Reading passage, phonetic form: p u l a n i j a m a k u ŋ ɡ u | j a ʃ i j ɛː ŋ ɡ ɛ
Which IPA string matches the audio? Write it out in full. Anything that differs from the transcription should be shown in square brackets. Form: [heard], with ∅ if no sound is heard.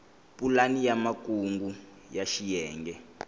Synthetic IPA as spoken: p u l a n i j a m a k u ŋ ɡ u | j a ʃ i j ɛː ŋ ɡ ɛ

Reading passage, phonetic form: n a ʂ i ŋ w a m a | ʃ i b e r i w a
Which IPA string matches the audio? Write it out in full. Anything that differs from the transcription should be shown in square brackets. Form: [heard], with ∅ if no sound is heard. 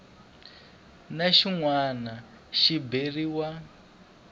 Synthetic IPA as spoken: n a [ʃ] i ŋ w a [n] a | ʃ i b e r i w a

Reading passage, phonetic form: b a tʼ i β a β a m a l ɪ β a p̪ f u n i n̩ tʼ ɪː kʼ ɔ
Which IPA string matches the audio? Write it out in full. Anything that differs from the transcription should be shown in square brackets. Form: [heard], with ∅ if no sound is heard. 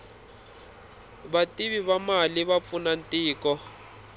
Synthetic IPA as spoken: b a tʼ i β [i] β a m a l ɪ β a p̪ f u n [a] n̩ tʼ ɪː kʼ ɔ

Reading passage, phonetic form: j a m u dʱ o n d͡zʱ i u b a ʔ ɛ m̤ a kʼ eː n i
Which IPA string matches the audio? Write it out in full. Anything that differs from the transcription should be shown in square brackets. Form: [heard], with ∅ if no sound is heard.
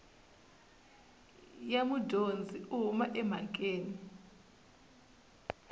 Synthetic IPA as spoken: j a m u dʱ o n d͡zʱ i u [m] a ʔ ɛ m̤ a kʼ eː n i

